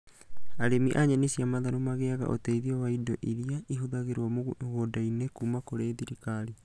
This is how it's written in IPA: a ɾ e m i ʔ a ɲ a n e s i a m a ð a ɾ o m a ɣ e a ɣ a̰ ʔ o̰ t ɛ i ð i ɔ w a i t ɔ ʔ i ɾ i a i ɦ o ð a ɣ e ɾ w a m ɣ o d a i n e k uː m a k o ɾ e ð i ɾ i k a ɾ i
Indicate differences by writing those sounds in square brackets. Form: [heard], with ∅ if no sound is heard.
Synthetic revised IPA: a ɾ e m i ʔ a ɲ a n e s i a m a ð a ɾ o m a ɣ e a ɣ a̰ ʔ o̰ t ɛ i ð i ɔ w a i [d] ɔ ʔ i ɾ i a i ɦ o ð a ɣ e ɾ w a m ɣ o d a i n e k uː m a k o ɾ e ð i ɾ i k a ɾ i